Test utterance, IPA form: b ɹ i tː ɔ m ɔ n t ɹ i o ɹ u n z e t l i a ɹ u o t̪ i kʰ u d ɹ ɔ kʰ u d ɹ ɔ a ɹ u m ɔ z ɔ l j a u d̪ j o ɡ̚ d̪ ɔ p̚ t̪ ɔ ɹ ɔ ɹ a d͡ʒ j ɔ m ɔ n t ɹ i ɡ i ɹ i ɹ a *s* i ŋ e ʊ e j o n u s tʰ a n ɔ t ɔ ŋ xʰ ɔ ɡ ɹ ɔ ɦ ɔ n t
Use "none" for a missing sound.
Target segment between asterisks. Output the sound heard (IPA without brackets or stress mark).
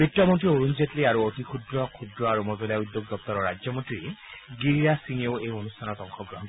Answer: s